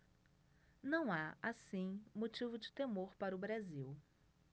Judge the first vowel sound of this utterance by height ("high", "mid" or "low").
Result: low